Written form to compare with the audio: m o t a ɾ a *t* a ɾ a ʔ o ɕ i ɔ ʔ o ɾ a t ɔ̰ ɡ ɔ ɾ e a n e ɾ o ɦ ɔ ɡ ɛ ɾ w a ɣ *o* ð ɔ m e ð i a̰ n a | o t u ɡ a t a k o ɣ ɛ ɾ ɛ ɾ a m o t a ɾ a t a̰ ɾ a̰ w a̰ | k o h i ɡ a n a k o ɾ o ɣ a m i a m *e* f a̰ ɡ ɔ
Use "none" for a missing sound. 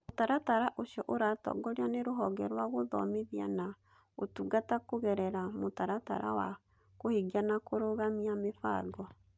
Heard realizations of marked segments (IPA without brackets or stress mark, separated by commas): t, o, e